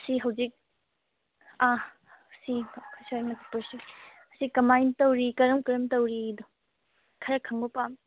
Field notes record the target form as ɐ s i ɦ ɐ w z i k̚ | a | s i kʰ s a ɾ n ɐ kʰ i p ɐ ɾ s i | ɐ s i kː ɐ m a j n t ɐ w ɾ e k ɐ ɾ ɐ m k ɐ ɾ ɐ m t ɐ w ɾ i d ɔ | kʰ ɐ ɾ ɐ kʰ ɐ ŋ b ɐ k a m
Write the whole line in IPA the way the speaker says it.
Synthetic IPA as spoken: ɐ s i ɦ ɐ w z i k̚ | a | s i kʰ s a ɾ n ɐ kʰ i p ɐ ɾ s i | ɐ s i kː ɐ m a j n t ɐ w ɾ i k ɐ ɾ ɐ m k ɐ ɾ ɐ m t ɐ w ɾ i d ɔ | kʰ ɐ ɾ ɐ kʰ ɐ ŋ b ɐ p a m